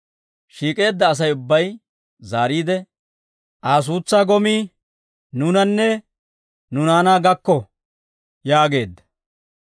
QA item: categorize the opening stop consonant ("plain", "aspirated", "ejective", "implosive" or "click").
ejective